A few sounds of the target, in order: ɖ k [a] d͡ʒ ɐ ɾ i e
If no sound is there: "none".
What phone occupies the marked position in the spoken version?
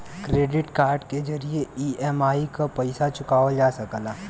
e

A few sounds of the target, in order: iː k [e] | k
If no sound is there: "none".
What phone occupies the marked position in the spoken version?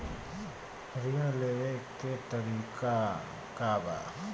a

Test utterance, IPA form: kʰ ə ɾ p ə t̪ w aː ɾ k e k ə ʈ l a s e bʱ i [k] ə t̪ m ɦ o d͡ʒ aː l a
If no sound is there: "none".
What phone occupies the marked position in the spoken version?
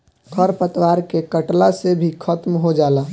kʰ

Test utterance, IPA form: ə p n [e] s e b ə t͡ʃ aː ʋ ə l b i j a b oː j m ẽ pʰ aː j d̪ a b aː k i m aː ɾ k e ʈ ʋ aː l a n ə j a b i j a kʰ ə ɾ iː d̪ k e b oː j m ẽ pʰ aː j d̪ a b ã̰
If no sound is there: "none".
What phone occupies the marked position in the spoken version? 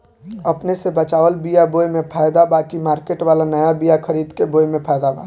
e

